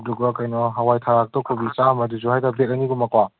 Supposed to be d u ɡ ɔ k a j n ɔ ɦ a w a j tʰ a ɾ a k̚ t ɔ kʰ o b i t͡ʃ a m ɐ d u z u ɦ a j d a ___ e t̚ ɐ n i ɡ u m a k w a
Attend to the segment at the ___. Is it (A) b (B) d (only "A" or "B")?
A